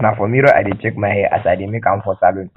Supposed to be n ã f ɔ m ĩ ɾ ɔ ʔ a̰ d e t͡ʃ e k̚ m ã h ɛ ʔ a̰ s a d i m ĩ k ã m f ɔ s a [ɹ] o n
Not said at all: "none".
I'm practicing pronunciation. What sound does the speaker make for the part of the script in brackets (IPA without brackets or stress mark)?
l